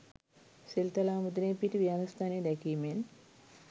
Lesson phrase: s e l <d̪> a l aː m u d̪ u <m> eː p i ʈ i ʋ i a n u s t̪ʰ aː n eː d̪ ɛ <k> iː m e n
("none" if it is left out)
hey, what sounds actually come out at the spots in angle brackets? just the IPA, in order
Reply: t̪, n, k

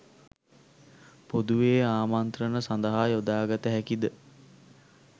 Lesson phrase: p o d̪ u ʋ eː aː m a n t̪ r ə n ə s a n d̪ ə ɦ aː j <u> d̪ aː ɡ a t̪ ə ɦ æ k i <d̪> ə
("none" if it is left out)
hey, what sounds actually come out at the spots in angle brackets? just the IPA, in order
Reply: o, d̪

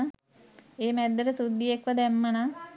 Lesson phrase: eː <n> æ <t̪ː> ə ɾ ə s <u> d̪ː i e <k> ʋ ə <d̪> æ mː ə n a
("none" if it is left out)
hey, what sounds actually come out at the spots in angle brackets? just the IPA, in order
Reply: m, d̪ː, u, k, d̪

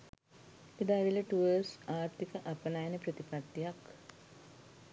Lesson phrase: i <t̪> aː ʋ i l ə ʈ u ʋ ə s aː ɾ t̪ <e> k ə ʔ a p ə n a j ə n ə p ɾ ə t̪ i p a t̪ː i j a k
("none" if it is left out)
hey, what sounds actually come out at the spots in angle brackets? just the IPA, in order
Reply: d̪, i

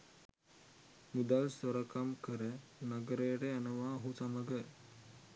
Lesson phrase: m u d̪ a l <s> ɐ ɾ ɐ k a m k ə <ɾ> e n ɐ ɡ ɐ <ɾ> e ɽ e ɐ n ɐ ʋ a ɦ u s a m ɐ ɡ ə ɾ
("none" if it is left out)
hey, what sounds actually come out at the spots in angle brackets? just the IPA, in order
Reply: s, ɾ, ɾ

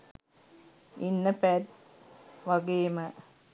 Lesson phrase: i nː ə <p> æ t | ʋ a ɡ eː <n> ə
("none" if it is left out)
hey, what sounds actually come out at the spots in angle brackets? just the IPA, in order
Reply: p, m

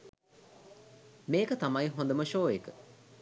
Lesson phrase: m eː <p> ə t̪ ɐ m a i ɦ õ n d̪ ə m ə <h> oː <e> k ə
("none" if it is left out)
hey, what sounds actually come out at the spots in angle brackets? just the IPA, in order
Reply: k, ʃ, e

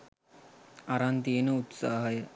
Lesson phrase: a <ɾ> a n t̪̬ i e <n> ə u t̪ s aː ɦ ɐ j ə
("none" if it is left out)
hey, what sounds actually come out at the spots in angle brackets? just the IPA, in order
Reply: ɾ, n

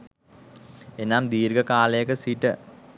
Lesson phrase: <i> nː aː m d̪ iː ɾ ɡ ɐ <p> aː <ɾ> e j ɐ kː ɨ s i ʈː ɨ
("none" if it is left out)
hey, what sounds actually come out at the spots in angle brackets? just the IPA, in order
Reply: e, k, l

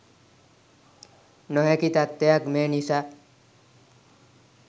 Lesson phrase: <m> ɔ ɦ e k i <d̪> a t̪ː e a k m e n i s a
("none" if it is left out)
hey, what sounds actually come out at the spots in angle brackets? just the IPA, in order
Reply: n, t̪

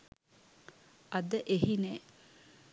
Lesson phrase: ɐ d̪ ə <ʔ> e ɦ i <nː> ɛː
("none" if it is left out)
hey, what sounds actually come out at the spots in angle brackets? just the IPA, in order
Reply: ʔ, n

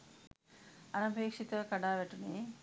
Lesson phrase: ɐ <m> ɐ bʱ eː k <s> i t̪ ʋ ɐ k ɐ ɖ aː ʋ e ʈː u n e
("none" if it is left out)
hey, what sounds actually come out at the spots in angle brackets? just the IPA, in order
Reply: n, ʂ

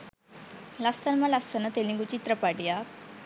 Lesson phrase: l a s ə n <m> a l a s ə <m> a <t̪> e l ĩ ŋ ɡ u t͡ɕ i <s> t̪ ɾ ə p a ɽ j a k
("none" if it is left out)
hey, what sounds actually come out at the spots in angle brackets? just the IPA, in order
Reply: m, n, t̪, none

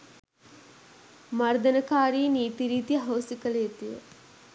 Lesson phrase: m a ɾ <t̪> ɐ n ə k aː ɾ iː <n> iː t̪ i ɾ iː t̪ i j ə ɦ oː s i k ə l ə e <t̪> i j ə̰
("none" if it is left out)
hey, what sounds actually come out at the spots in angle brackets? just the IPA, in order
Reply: d̪, n, t̪

